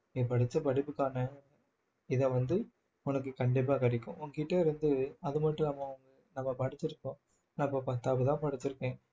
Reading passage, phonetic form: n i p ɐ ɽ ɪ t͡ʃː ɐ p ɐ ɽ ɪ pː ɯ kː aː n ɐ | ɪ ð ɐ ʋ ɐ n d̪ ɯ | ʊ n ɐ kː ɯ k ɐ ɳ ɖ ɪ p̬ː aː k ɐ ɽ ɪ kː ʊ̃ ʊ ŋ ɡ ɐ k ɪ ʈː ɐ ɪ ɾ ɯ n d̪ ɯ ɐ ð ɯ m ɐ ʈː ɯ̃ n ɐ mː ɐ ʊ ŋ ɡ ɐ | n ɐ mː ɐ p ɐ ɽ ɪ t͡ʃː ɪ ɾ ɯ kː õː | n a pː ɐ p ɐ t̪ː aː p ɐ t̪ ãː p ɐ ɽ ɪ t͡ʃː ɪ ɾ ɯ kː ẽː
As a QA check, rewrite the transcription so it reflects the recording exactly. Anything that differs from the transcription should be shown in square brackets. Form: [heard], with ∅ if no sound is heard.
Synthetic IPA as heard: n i p ɐ ɽ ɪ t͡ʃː ɐ p ɐ ɽ ɪ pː ɯ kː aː n ɐ | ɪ ð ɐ ʋ ɐ n d̪ ɯ | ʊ n ɐ kː ɯ k ɐ ɳ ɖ ɪ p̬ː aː k ɐ ɽ ɪ kː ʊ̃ ʊ ŋ ɡ ɐ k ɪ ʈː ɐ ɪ ɾ ɯ n d̪ ɯ ɐ ð ɯ m ɐ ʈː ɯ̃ n ɐ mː ɐ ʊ ŋ ɡ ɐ | n ɐ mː ɐ p ɐ ɽ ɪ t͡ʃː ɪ ɾ ɯ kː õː | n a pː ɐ p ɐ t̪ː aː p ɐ t̪ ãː p ɐ ɽ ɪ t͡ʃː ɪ ɾ ɯ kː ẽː